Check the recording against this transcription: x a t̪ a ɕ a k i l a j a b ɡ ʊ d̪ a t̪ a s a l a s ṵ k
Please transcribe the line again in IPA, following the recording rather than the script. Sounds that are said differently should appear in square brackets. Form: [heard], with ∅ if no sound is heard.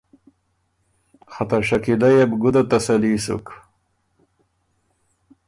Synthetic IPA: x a t̪ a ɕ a k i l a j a b ɡ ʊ d̪ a t̪ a s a l [i] s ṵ k